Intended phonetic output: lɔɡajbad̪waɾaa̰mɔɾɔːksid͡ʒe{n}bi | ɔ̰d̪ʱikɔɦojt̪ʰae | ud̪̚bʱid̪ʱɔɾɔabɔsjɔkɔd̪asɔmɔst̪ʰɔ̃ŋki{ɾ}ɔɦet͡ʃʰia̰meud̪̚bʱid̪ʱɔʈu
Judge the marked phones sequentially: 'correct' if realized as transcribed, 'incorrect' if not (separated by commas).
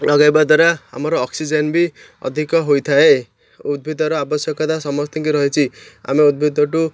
correct, correct